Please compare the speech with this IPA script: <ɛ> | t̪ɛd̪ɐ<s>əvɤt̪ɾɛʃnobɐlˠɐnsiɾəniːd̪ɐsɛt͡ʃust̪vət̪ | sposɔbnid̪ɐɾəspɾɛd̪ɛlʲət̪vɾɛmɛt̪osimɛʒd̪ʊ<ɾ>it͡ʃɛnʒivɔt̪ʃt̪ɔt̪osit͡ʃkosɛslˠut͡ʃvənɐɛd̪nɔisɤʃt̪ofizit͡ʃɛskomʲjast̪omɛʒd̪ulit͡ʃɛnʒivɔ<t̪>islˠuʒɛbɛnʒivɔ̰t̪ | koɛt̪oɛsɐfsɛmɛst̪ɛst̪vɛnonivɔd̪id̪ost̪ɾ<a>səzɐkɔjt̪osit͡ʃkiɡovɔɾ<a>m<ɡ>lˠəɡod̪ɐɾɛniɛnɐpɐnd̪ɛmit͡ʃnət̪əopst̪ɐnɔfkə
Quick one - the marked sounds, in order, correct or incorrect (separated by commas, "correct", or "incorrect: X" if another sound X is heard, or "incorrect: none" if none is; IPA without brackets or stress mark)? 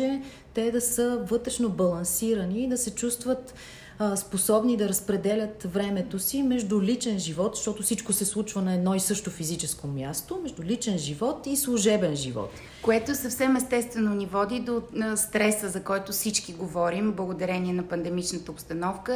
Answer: correct, correct, incorrect: l, correct, incorrect: ɛ, incorrect: i, incorrect: b